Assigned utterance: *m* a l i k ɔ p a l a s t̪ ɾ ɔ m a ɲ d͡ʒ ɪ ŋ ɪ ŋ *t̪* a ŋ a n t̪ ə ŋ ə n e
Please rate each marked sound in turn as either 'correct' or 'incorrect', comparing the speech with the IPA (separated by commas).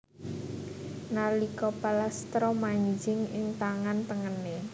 incorrect, correct